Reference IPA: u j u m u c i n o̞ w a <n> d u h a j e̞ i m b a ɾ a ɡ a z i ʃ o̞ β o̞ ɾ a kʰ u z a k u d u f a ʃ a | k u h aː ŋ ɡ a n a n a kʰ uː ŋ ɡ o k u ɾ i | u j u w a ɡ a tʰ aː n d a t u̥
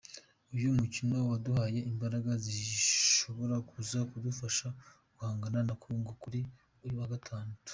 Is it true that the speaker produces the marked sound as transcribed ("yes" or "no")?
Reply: no